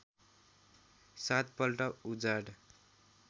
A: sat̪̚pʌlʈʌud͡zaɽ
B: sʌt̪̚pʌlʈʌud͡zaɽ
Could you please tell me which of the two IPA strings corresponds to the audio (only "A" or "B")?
A